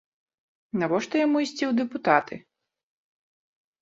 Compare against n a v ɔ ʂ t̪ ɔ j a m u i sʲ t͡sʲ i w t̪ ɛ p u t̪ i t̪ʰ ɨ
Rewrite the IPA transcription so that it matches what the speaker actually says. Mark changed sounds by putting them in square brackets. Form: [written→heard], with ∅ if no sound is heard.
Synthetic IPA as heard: n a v ɔ ʂ t̪ ɔ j a m u i sʲ t͡sʲ i w [t̪→d̪] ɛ p u t̪ [i→a] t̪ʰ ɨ